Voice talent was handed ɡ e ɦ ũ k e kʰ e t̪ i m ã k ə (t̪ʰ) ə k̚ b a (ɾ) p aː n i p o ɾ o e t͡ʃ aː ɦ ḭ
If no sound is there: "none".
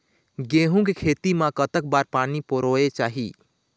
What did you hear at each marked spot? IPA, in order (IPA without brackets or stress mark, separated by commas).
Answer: t̪, ɾ